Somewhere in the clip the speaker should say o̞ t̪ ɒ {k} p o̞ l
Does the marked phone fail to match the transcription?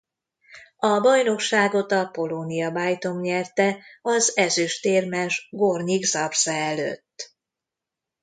yes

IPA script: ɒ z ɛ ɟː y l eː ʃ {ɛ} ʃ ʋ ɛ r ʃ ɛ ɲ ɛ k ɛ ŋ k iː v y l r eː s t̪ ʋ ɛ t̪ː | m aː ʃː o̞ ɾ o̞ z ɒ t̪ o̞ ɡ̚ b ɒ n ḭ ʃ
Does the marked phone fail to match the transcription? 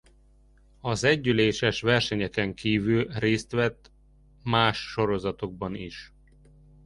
no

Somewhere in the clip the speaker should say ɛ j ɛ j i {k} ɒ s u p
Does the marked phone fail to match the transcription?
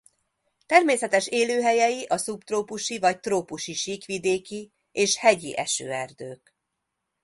yes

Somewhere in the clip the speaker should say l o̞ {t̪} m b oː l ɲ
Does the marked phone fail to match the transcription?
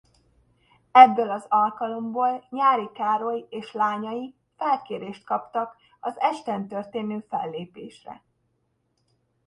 yes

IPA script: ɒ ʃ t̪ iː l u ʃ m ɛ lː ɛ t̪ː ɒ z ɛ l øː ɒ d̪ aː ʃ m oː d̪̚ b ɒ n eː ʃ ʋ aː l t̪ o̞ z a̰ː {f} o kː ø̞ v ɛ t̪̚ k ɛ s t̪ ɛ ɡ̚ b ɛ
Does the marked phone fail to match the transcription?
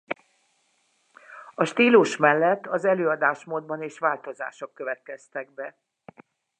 yes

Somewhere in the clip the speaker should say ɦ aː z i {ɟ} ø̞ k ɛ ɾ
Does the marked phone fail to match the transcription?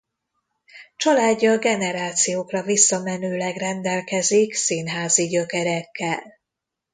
no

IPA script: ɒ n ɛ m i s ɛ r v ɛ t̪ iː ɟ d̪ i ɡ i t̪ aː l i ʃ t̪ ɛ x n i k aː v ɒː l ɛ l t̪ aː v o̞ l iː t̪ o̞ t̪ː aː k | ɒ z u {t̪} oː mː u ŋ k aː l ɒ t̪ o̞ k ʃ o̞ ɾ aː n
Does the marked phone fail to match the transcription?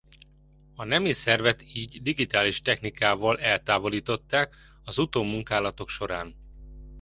no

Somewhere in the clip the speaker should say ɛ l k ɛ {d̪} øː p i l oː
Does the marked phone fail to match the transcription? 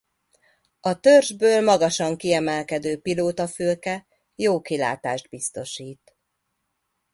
no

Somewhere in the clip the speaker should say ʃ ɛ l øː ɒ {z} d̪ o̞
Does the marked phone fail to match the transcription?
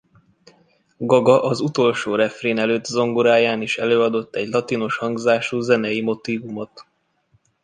yes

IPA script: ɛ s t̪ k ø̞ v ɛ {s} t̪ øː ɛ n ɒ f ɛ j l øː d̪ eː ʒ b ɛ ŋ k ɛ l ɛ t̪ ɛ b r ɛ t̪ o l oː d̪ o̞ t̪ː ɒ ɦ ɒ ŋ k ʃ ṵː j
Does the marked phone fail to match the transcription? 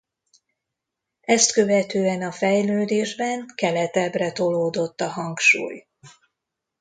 yes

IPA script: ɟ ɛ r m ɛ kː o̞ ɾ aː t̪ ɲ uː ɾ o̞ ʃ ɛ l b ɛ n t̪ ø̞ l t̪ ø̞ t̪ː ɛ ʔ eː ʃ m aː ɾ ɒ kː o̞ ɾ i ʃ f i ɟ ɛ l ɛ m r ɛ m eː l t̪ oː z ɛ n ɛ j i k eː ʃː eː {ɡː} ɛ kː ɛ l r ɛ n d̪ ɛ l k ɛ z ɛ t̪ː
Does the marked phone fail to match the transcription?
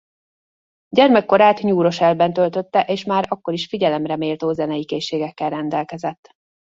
yes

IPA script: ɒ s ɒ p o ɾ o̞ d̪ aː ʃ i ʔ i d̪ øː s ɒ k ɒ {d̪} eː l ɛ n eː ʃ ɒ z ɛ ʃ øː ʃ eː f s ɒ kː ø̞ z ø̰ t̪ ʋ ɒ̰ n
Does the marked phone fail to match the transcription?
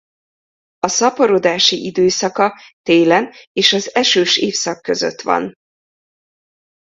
yes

